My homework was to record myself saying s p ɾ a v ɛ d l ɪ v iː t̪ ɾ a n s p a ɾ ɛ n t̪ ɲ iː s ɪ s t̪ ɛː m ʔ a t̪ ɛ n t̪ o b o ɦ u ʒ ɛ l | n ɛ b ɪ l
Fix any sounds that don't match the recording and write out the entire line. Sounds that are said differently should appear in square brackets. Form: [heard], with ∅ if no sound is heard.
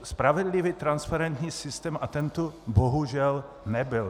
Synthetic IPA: s p ɾ a v ɛ d l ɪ v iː t̪ ɾ a n s p a ɾ ɛ n t̪ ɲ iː s ɪ s t̪ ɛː m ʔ a t̪ ɛ n t̪ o b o ɦ u ʒ ɛ l | n ɛ b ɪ l